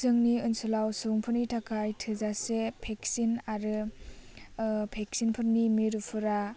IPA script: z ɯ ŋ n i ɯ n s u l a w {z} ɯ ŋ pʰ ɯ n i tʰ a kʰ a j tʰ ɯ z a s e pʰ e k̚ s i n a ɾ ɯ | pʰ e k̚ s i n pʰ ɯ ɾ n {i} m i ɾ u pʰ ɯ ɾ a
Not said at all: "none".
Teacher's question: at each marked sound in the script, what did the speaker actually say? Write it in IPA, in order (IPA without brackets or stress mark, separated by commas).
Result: s, i